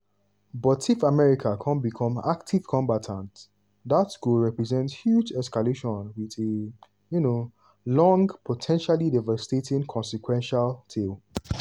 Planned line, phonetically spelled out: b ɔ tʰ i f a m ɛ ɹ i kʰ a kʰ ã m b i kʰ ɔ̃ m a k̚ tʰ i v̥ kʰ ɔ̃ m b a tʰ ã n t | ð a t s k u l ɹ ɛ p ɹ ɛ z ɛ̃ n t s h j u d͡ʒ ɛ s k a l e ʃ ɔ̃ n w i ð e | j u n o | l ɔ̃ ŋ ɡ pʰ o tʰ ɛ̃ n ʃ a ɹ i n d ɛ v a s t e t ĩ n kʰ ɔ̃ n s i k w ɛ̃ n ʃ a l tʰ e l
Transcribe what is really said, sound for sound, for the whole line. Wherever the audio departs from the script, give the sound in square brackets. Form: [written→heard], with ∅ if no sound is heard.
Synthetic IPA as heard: b ɔ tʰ i f a m ɛ ɹ i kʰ a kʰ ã [m→n] b i kʰ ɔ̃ m a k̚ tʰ i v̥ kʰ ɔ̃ m b a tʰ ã n t | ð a t s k u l ɹ ɛ p ɹ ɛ z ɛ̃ n t s h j u d͡ʒ ɛ s k a l e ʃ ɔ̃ n w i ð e | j u n o | l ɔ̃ ŋ ɡ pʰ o tʰ ɛ̃ n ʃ a [ɹ→l] i [n→∅] d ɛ v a s t e t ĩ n kʰ ɔ̃ n s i k w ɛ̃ n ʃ a l tʰ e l

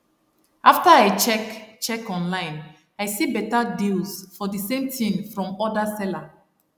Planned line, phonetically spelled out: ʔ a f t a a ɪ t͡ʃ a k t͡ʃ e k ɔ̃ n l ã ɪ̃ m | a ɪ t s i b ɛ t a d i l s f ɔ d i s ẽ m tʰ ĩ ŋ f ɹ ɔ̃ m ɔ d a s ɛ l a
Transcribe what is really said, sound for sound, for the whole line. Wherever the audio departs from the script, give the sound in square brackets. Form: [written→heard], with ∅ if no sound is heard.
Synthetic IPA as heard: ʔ a f t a a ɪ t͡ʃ [a→ɛ] k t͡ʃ [e→ɛ] k ɔ̃ n l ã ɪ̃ [m→n] | a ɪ [t→∅] s i b ɛ t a d i l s f ɔ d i s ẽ m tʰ ĩ ŋ f ɹ ɔ̃ m ɔ d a s ɛ l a

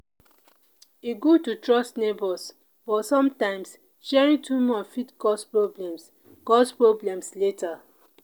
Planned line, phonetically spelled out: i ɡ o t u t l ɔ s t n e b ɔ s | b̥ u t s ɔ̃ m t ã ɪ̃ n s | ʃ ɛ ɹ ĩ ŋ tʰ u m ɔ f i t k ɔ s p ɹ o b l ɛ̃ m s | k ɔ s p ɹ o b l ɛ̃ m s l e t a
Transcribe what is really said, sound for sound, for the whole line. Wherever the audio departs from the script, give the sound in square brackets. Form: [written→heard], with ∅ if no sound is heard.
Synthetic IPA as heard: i ɡ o t u t [l→ɹ] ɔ s t n e b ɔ s | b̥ [u→ɔ] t s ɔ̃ m t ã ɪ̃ [n→m] s | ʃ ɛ ɹ ĩ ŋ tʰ u m ɔ f i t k ɔ s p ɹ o b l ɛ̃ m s | k ɔ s p ɹ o b l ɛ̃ m s l e t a

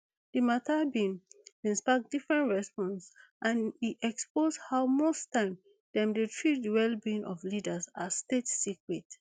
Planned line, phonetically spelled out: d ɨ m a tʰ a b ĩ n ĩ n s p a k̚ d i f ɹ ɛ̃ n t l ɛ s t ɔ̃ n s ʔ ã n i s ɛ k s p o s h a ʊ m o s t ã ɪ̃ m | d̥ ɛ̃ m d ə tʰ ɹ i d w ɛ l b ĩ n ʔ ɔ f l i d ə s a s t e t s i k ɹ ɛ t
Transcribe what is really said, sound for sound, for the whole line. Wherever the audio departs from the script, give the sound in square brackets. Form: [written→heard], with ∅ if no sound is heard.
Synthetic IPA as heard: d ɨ m a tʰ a b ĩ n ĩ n s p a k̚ d i f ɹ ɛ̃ n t [l→ɹ] ɛ s [t→p] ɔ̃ n s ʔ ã n i [s→∅] ɛ k s p o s h a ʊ m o s t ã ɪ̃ m | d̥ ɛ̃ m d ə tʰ ɹ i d w ɛ l b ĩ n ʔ ɔ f l i d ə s a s t e t s i k ɹ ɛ t

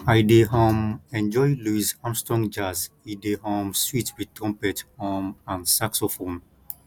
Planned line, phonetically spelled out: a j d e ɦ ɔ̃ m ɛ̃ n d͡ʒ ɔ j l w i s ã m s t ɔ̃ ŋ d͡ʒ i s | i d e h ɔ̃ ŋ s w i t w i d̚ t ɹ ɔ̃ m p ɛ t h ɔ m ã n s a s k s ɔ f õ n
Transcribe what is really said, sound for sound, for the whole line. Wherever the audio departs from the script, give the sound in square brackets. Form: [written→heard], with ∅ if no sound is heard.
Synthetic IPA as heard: a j d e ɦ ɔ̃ m ɛ̃ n d͡ʒ ɔ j l [w→u] i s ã m s t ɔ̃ ŋ d͡ʒ [i→a] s | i d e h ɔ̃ [ŋ→m] s w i t w i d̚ t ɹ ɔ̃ m p ɛ t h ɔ m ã n s a [s→∅] k s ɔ f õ n

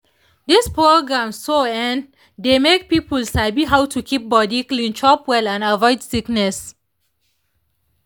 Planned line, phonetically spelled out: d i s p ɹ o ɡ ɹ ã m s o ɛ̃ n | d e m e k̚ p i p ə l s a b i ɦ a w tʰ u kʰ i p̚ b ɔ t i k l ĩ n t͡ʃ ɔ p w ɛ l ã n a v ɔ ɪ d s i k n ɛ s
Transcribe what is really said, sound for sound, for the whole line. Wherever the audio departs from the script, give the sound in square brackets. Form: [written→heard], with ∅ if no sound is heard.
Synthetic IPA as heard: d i s p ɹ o ɡ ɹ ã m s o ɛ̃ n | d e m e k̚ p i p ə l s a b i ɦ a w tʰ u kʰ i p̚ b ɔ [t→d] i k l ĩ n t͡ʃ ɔ p w ɛ l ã n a v ɔ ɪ d s i k n ɛ s

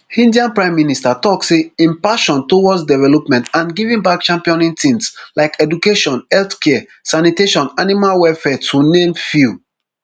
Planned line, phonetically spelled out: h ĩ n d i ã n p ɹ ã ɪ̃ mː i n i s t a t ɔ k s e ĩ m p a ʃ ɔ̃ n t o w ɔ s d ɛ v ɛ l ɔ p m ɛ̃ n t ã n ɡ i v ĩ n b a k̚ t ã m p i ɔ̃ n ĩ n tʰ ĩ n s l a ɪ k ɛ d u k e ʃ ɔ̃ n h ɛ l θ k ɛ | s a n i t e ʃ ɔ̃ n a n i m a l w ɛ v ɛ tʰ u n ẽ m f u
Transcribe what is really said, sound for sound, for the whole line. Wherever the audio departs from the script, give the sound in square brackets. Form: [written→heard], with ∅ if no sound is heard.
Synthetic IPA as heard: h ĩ n d i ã n p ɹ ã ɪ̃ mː i n i s t a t ɔ k s e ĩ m p a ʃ ɔ̃ n t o w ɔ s d ɛ v ɛ l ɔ p m ɛ̃ n t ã n ɡ i v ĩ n b a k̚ [t→t͡ʃ] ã m p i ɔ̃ n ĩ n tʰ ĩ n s l a ɪ k ɛ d u k e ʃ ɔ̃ n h ɛ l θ k ɛ | s a n i t e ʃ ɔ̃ n a n i m a l w ɛ [v→f] ɛ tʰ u n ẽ m f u

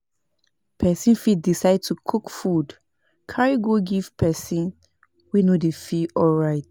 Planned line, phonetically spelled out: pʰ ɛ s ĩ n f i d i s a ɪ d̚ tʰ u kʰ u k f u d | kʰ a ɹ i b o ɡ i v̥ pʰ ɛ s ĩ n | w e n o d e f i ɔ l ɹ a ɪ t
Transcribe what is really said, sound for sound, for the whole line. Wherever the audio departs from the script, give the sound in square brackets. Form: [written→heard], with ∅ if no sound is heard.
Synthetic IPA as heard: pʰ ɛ s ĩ n f i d i s a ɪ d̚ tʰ u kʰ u k f u d | kʰ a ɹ i [b→ɡ] o ɡ i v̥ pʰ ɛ s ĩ n | w [e→i] n o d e f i ɔ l ɹ a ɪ t

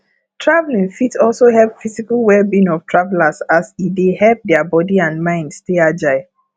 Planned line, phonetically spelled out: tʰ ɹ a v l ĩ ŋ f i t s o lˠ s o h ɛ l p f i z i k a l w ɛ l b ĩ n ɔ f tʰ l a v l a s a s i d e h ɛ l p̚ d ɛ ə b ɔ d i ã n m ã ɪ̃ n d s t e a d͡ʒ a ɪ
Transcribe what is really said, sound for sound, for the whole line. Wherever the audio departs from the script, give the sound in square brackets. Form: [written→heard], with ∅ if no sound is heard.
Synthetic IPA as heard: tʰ ɹ a v l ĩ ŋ f i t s [o→ɔ] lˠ s o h ɛ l p f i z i k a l w ɛ l b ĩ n ɔ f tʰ [l→ɹ] a v l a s a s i d e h ɛ l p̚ d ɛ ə b ɔ d i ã n m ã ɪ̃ n d s t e a d͡ʒ a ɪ

